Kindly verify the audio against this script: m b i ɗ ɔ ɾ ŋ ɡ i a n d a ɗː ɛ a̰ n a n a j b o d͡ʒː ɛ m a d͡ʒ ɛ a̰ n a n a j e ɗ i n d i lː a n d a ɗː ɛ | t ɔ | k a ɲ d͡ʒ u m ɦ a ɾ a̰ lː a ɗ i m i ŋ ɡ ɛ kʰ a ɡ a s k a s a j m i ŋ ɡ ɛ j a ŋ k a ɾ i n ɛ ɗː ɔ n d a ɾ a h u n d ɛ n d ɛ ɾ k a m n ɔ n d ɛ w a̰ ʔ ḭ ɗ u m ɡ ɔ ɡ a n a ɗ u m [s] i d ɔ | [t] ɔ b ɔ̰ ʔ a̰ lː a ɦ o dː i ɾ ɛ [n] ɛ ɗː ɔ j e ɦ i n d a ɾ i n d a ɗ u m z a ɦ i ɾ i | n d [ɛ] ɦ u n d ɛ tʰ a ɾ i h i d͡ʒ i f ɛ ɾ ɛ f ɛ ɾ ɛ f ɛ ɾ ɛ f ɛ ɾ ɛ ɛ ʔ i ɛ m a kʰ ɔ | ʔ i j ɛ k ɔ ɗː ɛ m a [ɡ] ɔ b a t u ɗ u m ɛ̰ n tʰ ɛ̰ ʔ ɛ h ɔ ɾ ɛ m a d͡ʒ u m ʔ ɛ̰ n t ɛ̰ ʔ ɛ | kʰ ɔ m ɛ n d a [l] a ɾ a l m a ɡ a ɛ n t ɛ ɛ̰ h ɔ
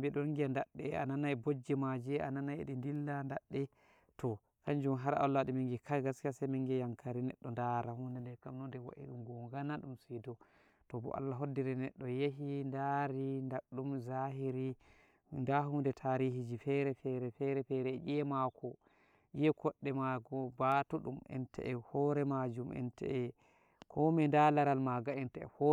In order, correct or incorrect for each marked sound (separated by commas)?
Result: correct, correct, correct, incorrect, correct, correct